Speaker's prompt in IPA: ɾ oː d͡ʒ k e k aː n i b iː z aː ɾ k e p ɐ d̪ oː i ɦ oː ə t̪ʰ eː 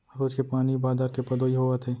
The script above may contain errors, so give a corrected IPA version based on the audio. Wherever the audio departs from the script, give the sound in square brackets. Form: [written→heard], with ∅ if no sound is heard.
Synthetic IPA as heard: ɾ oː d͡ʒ k e [k→p] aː n i b [iː→aː] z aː ɾ k e p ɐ d̪ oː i ɦ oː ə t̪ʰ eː